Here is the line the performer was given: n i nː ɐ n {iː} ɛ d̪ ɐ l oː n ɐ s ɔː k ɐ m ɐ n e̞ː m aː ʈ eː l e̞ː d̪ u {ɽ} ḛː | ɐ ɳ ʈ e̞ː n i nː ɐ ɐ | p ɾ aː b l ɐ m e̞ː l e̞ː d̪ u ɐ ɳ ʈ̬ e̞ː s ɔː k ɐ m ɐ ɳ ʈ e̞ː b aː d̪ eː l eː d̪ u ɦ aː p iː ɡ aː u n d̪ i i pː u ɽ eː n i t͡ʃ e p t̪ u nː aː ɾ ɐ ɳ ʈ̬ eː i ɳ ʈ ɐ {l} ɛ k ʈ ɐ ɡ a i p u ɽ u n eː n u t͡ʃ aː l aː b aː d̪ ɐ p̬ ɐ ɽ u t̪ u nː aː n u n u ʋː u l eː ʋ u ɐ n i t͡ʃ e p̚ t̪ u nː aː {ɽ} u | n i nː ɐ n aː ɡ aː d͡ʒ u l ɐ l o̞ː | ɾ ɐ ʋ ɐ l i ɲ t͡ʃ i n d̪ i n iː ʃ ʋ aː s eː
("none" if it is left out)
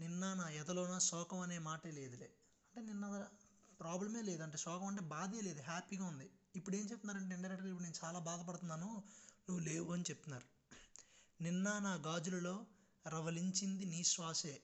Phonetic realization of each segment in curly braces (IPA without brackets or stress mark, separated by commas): aː, l, ɾ, ɾ